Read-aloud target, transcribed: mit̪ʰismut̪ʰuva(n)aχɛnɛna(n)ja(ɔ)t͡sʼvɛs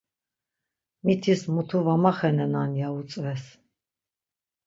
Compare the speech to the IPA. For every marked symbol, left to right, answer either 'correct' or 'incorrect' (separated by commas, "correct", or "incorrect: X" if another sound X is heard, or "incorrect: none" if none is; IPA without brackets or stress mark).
incorrect: m, correct, incorrect: u